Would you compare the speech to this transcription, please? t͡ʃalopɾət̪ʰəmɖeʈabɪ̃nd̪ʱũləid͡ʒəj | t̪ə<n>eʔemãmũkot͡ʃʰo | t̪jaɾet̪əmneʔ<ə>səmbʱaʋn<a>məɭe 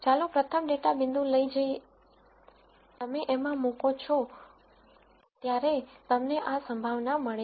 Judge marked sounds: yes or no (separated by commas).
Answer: no, no, yes